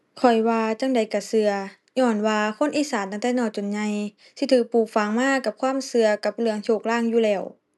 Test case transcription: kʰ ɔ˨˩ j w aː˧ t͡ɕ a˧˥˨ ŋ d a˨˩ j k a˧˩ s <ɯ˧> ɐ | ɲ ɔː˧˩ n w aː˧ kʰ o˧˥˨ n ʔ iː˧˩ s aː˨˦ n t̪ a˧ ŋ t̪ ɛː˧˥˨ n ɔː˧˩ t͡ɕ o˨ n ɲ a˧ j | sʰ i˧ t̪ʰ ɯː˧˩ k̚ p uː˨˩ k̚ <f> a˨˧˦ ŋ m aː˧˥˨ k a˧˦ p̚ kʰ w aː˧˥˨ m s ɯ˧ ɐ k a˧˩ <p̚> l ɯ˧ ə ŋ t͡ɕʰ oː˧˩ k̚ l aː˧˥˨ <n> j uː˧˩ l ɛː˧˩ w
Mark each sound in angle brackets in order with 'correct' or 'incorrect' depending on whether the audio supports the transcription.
correct, correct, correct, incorrect: ŋ

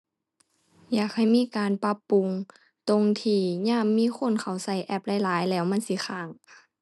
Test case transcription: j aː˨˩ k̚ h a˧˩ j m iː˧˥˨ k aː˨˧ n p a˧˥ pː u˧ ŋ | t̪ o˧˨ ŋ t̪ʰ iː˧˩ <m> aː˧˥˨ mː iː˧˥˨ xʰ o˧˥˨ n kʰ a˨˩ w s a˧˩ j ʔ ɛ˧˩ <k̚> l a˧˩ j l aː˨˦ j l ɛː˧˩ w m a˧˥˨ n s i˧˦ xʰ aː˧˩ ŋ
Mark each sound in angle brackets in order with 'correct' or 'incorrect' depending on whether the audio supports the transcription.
incorrect: ɲ, incorrect: p̚

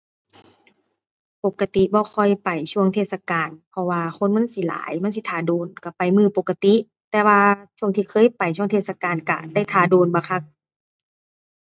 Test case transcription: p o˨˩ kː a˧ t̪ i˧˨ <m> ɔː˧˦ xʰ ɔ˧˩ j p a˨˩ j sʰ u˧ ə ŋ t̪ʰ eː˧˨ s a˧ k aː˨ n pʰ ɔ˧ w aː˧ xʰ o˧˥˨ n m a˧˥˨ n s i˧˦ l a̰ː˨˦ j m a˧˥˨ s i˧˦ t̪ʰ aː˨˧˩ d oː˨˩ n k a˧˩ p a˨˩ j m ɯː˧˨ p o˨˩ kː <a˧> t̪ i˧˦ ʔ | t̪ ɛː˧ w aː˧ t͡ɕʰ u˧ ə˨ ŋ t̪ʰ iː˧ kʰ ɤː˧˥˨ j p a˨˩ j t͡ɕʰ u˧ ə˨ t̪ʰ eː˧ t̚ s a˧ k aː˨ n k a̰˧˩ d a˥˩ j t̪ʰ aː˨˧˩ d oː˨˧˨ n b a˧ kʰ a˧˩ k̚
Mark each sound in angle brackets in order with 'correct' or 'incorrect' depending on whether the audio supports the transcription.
incorrect: b, correct

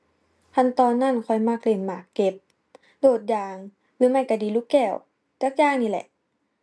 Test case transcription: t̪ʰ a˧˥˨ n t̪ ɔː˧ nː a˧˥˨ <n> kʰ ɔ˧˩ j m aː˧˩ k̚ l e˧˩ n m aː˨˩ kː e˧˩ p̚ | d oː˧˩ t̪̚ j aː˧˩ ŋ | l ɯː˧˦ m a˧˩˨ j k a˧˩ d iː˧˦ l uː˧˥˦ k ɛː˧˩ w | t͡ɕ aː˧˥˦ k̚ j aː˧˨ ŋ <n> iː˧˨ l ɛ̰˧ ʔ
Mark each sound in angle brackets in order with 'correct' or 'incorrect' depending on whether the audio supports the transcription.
correct, correct

